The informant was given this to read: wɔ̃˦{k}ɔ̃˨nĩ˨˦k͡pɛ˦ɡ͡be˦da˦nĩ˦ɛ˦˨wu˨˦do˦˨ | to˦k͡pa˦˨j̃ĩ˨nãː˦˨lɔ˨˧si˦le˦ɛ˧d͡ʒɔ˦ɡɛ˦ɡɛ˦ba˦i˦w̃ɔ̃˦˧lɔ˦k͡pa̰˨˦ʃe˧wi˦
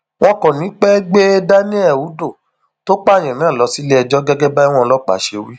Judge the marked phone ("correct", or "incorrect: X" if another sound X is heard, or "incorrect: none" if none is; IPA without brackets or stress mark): correct